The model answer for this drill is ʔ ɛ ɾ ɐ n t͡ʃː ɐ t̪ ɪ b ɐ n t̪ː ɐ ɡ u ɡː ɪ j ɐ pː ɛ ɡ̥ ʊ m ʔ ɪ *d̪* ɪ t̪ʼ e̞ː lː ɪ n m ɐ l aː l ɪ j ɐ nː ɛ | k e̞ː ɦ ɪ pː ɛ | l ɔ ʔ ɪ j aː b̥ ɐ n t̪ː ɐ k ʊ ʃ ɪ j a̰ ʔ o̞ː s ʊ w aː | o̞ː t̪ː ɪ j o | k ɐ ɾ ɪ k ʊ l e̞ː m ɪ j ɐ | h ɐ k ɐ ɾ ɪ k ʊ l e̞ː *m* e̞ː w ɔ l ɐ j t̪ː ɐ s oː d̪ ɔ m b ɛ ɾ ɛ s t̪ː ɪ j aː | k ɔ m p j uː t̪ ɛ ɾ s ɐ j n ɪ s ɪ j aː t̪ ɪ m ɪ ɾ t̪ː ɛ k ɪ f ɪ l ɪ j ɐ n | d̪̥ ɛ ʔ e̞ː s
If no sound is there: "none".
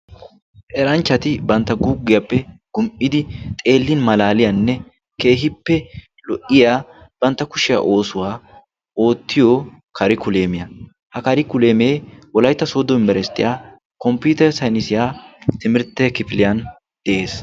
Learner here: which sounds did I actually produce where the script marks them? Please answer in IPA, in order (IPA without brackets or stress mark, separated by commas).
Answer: d̪, m